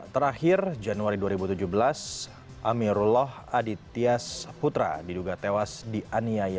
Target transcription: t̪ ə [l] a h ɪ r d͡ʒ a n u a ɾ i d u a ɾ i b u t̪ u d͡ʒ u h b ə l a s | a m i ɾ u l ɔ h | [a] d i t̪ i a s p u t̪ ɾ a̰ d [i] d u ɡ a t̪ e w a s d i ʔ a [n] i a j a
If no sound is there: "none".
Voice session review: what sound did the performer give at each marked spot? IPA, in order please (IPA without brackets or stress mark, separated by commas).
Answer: ɾ, a, i, n